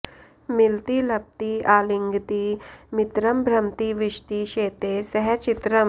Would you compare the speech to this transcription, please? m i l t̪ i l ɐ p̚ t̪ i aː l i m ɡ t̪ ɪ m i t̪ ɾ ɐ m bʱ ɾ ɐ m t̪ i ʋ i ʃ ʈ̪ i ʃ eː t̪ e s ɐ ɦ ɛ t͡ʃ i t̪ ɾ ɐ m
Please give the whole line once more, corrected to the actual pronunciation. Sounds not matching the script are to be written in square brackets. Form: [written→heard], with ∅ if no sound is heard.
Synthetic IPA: m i l t̪ i l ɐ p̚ t̪ i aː l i [m→ŋ] ɡ t̪ [ɪ→i] m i t̪ ɾ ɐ m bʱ ɾ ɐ m t̪ i ʋ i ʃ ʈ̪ i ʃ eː t̪ e s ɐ ɦ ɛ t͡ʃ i t̪ ɾ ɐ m